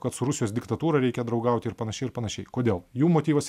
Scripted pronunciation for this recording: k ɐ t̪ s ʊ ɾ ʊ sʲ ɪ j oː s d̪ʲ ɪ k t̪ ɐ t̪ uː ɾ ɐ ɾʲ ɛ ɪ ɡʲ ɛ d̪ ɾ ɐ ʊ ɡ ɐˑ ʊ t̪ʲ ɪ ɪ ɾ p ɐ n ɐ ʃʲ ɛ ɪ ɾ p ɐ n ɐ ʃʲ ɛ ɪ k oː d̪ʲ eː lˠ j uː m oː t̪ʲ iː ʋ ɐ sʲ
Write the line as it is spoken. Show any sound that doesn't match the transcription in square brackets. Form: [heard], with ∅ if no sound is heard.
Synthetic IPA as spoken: k ɐ t̪ s ʊ ɾ ʊ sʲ ɪ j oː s d̪ʲ ɪ k t̪ ɐ t̪ uː ɾ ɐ ɾʲ ɛ ɪ [kʲ] ɛ d̪ ɾ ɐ ʊ ɡ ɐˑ ʊ t̪ʲ ɪ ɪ ɾ p ɐ n ɐ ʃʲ ɛ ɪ ɾ p ɐ n ɐ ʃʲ ɛ ɪ k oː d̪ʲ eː lˠ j uː m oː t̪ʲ iː ʋ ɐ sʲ

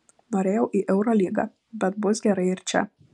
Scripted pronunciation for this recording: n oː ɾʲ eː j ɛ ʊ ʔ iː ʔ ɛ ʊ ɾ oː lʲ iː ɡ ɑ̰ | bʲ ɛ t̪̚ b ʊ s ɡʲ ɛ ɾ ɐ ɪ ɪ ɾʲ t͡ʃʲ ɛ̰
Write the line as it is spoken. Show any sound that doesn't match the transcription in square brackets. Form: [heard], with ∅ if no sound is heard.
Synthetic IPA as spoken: n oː ɾʲ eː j ɛ ʊ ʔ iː ʔ ɛ ʊ ɾ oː lʲ iː ɡ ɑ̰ | bʲ ɛ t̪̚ b ʊ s ɡʲ ɛ ɾ ɐ ɪ ɪ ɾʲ t͡ʃʲ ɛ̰

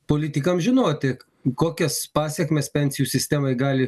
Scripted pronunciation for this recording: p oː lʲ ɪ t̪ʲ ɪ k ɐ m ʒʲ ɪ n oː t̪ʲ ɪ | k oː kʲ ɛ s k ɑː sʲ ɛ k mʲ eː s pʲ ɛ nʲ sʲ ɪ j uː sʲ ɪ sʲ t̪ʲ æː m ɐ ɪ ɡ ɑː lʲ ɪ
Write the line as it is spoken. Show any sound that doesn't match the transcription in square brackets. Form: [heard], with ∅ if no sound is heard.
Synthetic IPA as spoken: p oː lʲ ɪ t̪ʲ ɪ k ɐ m ʒʲ ɪ n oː t̪ʲ ɪ | k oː kʲ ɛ s [p] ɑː sʲ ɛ k mʲ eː s pʲ ɛ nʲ sʲ ɪ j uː sʲ ɪ sʲ t̪ʲ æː m ɐ ɪ ɡ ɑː lʲ ɪ

